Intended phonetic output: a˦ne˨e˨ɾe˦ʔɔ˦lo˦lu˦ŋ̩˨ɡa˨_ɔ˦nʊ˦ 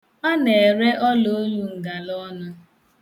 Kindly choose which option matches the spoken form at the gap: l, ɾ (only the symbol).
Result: l